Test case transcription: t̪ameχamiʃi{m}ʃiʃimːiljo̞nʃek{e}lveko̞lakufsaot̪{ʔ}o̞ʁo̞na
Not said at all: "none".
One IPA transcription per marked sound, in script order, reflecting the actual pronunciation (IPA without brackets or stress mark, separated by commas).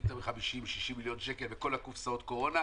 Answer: m, e, k